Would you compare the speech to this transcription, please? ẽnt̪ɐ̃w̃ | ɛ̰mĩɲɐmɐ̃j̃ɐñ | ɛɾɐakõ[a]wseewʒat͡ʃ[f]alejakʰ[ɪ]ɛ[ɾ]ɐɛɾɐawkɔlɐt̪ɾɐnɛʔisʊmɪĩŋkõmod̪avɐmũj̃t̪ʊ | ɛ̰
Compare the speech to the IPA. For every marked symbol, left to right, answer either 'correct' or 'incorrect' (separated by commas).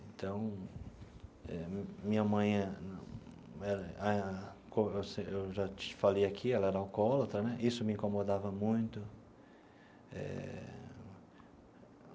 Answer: incorrect, correct, incorrect, incorrect